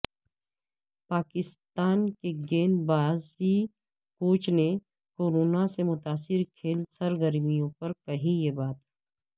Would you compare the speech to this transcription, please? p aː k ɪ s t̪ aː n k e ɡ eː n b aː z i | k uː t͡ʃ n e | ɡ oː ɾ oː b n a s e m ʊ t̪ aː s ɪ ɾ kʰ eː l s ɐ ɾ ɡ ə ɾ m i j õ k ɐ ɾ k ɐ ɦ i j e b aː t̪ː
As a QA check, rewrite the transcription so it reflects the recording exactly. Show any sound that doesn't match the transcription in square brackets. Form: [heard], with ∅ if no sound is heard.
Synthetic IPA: p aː k ɪ s t̪ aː n k e ɡ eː n b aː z i | k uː t͡ʃ n e | [k] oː ɾ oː [∅] n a s e m ʊ t̪ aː s ɪ ɾ kʰ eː l s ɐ ɾ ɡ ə ɾ m i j õ [p] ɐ ɾ k ɐ ɦ i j e b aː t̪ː